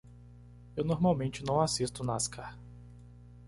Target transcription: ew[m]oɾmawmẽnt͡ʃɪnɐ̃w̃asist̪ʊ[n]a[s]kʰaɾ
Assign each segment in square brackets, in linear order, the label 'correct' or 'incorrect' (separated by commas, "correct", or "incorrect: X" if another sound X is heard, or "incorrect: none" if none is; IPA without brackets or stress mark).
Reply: incorrect: n, correct, correct